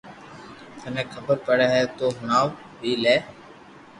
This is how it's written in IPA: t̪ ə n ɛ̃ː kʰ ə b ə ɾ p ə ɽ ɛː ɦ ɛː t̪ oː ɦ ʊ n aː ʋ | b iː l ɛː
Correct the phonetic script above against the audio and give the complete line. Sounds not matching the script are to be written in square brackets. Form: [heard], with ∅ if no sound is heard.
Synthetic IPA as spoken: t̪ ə n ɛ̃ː kʰ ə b ə ɾ p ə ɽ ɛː ɦ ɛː t̪ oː ɦ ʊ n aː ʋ | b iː l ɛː